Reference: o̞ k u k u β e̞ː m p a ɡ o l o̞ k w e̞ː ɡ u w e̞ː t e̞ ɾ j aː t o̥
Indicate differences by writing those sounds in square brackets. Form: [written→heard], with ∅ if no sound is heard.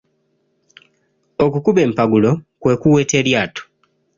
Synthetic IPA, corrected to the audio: o̞ k u k u β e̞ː m p a ɡ [o→u] l o̞ k w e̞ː [ɡ→k] u w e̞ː t e̞ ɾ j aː t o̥